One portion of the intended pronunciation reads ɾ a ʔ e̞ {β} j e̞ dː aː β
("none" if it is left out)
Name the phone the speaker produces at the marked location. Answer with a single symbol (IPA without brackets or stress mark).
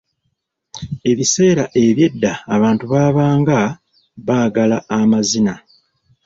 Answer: β